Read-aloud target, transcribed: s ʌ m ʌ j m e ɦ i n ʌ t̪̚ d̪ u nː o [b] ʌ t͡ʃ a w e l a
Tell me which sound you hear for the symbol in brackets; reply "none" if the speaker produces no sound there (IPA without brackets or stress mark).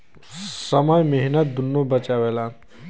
b